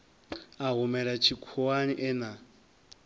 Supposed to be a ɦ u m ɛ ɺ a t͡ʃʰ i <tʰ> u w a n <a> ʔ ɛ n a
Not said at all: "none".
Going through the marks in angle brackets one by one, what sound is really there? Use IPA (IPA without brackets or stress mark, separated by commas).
kʰ, i